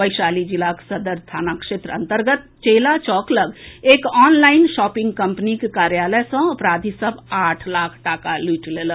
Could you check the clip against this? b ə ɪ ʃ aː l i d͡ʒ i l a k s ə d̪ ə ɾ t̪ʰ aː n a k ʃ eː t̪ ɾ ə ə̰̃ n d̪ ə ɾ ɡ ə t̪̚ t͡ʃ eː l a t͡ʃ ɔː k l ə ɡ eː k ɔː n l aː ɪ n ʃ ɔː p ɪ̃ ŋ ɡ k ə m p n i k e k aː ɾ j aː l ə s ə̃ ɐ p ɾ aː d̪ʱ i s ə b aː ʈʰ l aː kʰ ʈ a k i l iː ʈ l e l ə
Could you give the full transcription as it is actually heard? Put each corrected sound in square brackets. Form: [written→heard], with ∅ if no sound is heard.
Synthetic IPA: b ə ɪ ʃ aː l i d͡ʒ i l a k s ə d̪ ə ɾ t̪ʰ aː n a k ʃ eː t̪ ɾ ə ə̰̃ n [d̪→t̪] ə ɾ ɡ ə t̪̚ t͡ʃ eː l a t͡ʃ ɔː k l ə ɡ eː k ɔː n l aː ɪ n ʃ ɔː p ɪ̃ ŋ ɡ k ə m p n i k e k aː ɾ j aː l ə s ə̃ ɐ p ɾ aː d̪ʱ i s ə b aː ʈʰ l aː kʰ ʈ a k [i→a] l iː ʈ l e l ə